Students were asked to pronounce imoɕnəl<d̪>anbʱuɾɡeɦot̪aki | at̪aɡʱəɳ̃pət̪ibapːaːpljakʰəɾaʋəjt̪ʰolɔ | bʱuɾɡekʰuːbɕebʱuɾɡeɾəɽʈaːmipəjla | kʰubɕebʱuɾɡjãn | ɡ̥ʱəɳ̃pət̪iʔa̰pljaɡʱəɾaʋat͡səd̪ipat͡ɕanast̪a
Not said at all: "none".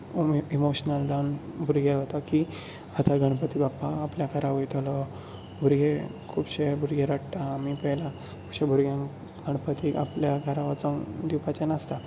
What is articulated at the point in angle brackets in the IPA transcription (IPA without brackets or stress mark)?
d̪